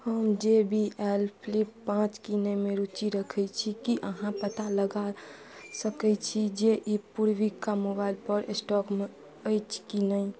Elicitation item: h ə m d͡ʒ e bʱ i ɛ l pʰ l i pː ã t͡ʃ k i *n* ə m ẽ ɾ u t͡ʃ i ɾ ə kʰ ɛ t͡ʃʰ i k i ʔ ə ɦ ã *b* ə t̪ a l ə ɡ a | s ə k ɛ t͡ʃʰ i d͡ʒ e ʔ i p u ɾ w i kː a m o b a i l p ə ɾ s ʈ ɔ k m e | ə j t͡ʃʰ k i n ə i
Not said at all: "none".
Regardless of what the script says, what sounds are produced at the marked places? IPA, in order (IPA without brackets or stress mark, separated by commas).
n, p